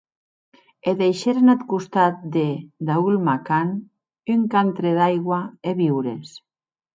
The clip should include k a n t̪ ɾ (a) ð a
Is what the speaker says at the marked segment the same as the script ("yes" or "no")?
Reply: no